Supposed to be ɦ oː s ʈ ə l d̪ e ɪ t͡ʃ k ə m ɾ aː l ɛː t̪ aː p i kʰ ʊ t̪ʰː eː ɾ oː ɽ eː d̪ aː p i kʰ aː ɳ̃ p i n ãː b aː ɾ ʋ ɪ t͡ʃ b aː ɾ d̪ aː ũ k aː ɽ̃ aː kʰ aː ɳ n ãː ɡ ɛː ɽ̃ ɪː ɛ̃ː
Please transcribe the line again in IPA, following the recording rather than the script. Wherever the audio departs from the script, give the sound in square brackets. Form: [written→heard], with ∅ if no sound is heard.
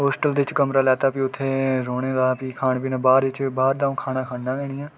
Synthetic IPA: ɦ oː s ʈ ə l d̪ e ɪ t͡ʃ k ə m ɾ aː l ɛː t̪ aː p i [kʰ→∅] ʊ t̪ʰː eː ɾ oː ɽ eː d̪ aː p i kʰ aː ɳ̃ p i n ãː b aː ɾ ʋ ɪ t͡ʃ b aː ɾ d̪ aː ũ [k→kʰ] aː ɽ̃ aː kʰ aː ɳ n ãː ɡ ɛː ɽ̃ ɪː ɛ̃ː